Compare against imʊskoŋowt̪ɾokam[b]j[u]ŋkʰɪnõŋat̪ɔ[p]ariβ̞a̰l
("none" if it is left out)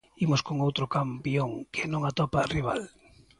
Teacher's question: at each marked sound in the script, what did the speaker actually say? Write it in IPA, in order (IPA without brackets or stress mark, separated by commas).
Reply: p, o, p